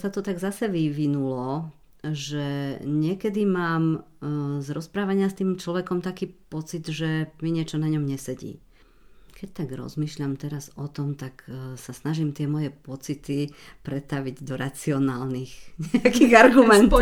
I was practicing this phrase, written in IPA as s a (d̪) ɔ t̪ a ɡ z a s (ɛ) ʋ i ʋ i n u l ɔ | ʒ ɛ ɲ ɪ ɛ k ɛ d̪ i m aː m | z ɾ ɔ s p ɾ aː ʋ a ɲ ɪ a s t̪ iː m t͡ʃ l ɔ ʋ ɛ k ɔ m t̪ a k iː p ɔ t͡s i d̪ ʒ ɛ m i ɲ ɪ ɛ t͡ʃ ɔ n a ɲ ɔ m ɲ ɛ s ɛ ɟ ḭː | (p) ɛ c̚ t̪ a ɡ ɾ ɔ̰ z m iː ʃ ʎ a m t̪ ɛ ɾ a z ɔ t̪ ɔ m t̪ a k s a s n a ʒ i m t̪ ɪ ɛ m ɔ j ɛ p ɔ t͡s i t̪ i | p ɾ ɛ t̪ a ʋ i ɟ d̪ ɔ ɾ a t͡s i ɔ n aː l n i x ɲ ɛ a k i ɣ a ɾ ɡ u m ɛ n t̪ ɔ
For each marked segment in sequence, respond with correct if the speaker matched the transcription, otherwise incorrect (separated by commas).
incorrect, correct, incorrect